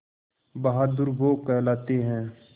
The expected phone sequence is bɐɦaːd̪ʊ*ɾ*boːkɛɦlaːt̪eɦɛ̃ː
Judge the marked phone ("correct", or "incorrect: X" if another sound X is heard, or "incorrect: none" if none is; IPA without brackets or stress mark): correct